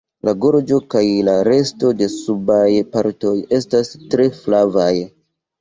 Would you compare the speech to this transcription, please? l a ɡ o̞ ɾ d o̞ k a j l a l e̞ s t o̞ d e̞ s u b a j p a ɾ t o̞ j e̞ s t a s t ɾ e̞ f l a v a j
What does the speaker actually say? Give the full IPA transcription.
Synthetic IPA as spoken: l a ɡ o̞ ɾ d͡ʒ o̞ k a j l a ɾ e̞ s t o̞ d e̞ s u b a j p a ɾ t o̞ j e̞ s t a s t ɾ e̞ f l a v a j